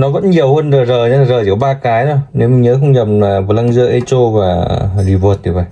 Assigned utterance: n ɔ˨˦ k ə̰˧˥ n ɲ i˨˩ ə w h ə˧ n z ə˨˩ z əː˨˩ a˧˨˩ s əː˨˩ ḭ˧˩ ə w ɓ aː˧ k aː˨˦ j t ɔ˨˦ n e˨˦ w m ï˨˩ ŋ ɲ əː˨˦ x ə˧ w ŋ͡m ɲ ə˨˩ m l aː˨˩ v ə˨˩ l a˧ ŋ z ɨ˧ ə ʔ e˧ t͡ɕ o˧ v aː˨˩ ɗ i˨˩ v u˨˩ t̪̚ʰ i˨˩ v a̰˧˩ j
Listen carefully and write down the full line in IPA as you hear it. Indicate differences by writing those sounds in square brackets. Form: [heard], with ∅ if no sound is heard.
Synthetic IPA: n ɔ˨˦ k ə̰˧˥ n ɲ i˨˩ ə w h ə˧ n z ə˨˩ z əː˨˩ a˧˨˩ [z] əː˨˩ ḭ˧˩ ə w ɓ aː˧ k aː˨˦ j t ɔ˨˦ n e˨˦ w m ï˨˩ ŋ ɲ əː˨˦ x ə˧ w ŋ͡m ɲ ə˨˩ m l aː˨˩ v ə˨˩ l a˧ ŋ z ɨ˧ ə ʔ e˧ t͡ɕ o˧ v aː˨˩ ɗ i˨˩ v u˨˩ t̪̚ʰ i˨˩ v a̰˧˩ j